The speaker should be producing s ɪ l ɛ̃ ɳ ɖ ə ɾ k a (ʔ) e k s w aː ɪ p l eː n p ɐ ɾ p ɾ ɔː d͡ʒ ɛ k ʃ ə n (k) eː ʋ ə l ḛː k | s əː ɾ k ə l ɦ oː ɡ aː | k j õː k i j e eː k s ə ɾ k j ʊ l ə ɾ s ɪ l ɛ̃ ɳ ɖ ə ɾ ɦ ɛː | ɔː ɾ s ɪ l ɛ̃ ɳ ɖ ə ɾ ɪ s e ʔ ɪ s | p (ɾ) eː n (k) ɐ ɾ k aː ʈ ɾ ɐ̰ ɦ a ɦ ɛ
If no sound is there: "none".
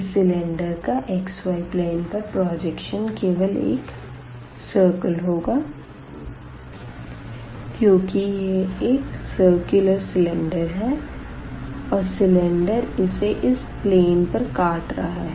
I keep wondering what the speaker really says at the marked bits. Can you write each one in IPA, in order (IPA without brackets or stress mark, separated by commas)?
ʔ, k, l, p